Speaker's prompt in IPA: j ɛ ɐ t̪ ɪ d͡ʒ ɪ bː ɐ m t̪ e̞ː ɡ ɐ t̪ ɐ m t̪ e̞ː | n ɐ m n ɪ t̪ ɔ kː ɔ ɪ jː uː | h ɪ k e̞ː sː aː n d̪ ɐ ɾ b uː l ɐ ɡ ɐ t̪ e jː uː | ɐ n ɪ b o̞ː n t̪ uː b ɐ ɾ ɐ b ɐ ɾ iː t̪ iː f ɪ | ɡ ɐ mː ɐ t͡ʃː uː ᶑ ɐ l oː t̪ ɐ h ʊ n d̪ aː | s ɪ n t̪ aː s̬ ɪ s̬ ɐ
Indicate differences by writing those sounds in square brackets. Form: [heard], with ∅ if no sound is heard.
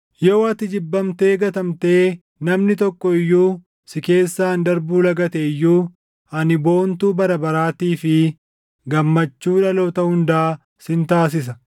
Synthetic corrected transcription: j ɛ ɐ t̪ ɪ d͡ʒ ɪ bː ɐ m t̪ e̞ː ɡ ɐ t̪ ɐ m t̪ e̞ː | n ɐ m n ɪ t̪ ɔ kː ɔ ɪ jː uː | [s] ɪ k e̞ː sː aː n d̪ ɐ ɾ b uː l ɐ ɡ ɐ t̪ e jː uː | ɐ n ɪ b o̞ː n t̪ uː b ɐ ɾ ɐ b ɐ ɾ [aː] t̪ iː f ɪ | ɡ ɐ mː ɐ t͡ʃː uː ᶑ ɐ l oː t̪ ɐ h ʊ n d̪ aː | s ɪ n t̪ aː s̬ ɪ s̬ ɐ